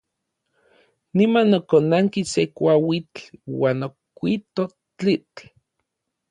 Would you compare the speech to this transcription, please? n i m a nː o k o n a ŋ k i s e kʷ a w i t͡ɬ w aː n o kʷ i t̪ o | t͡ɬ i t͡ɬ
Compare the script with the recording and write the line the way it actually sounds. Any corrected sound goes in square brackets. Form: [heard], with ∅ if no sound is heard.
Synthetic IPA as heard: n i m a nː o k o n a ŋ k i s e kʷ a w i t͡ɬ w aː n o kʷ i t̪ o | t͡ɬ i t͡ɬ